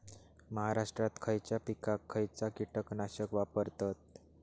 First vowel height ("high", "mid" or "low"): mid